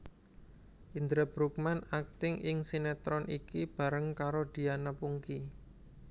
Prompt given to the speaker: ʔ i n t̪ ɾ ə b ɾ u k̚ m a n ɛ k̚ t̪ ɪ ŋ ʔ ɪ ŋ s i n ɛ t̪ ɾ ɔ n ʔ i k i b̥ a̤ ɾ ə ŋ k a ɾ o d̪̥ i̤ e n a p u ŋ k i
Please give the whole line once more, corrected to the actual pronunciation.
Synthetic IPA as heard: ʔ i n d̪ ɾ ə b ɾ u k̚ m a n a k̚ t̪ ɪ ŋ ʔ ɪ ŋ s i n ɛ t̪ ɾ ɔ n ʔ i k i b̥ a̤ ɾ ə ŋ k a ɾ o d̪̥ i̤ a n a p u ŋ k i